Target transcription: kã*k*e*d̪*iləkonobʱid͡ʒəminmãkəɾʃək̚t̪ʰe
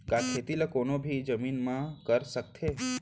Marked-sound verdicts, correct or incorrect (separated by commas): incorrect, incorrect